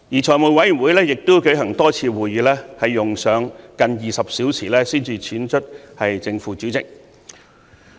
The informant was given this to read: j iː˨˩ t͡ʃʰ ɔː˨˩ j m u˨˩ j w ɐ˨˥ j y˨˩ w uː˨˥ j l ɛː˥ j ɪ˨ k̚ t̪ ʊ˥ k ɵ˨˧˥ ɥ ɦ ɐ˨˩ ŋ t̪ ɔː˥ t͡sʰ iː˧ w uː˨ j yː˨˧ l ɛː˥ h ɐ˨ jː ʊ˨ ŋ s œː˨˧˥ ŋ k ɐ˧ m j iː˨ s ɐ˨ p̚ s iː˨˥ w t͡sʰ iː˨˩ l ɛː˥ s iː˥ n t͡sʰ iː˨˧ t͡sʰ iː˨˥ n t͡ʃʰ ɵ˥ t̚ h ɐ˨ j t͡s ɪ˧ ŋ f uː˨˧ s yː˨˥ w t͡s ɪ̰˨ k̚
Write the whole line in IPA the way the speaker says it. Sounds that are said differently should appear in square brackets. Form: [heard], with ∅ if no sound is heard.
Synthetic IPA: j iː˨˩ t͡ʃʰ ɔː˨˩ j m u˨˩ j w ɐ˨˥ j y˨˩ w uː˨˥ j l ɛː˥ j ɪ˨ k̚ t̪ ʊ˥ k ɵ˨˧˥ ɥ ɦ ɐ˨˩ ŋ t̪ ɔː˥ t͡sʰ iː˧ w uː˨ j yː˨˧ l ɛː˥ h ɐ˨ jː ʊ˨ ŋ s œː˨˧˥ ŋ k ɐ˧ [n] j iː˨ s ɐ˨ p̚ s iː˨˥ w t͡sʰ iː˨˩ l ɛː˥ s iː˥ n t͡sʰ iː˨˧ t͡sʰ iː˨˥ n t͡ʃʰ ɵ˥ t̚ h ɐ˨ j t͡s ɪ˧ ŋ f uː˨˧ [t͡s] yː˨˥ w t͡s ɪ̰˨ k̚

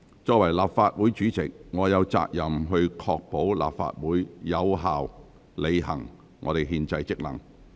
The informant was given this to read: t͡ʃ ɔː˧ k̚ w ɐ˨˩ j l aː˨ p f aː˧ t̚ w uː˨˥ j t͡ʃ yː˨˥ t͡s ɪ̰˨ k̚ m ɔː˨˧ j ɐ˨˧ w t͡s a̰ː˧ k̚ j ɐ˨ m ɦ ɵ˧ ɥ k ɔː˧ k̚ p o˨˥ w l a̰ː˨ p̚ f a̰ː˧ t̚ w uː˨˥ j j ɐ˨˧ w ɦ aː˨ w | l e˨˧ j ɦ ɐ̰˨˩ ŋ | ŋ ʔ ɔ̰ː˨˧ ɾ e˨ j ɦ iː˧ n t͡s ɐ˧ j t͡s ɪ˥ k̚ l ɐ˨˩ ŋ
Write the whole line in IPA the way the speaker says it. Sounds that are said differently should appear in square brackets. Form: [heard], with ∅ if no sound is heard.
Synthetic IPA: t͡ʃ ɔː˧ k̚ w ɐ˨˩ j l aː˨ p f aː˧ t̚ w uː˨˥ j t͡ʃ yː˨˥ t͡s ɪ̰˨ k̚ [ŋ] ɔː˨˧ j ɐ˨˧ w t͡s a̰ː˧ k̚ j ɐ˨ m ɦ ɵ˧ ɥ [kʰ] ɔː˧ k̚ p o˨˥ w l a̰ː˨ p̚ f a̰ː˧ t̚ w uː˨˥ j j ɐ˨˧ w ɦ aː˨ w | l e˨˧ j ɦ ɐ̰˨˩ ŋ | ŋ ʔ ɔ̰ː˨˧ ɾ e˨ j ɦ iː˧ n t͡s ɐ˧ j t͡s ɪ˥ k̚ l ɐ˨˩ ŋ

